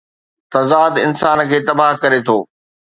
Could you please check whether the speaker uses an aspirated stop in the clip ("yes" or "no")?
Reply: yes